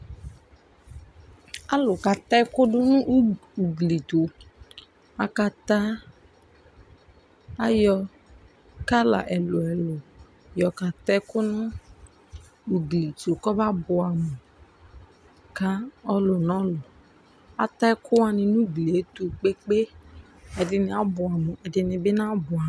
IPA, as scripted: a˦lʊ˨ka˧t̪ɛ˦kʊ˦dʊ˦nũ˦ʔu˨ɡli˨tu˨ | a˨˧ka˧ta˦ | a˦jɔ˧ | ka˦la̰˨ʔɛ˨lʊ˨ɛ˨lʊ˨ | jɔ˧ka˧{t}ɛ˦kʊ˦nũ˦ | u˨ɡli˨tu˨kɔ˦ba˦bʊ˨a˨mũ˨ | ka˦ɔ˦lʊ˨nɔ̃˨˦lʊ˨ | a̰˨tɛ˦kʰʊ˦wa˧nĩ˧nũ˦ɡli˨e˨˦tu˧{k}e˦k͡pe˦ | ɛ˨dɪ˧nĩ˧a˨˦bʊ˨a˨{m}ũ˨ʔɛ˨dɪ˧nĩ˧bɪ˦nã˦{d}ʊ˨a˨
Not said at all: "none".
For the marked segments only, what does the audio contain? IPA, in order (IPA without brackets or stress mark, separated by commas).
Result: t, k͡p, m, b